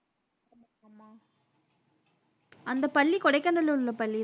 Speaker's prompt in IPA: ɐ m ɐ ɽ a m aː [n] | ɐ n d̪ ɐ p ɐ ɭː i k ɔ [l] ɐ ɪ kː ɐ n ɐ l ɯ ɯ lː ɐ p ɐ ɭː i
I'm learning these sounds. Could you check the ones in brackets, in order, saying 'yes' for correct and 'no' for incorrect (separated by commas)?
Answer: no, no